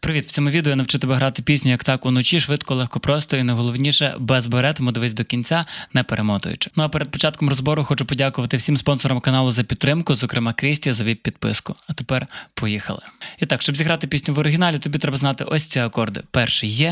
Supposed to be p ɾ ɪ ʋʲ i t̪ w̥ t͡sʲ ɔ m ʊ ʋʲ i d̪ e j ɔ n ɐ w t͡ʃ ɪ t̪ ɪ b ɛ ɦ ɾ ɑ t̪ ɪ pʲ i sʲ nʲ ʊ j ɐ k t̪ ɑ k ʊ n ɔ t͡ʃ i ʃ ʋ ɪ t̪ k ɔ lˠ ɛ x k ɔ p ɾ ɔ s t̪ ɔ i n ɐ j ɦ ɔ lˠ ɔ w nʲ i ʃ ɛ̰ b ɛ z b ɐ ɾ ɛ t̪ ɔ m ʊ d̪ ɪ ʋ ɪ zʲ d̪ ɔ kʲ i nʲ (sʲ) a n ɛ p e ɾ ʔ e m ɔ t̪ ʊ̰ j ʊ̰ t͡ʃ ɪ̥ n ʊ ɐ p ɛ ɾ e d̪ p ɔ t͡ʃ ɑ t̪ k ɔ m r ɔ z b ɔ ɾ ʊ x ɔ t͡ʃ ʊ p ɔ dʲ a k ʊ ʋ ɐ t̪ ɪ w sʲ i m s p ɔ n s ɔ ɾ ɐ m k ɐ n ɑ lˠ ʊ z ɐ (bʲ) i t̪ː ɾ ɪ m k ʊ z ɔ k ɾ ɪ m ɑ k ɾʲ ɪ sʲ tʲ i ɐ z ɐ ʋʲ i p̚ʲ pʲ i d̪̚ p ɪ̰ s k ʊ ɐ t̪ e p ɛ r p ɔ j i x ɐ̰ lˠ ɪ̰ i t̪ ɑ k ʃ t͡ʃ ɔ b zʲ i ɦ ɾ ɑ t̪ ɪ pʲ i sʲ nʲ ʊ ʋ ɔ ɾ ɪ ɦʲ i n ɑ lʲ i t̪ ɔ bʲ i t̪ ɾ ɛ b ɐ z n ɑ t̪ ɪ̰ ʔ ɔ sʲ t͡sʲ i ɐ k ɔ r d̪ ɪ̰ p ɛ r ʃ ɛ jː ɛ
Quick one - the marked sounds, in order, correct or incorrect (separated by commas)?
incorrect, incorrect